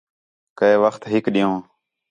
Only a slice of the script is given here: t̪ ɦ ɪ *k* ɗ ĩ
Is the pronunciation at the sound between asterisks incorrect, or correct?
correct